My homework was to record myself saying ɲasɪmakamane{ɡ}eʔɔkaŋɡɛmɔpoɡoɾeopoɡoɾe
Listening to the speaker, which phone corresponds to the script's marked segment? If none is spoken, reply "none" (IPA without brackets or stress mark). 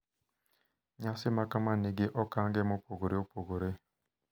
ɡ